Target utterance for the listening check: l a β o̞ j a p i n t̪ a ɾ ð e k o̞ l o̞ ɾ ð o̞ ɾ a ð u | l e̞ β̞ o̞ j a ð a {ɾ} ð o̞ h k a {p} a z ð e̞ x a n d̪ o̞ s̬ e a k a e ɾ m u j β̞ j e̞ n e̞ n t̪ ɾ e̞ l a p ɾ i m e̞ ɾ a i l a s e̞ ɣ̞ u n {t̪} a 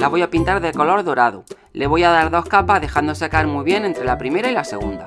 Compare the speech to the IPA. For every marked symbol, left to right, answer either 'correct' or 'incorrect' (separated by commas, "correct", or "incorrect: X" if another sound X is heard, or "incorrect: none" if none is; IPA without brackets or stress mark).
correct, correct, incorrect: d̪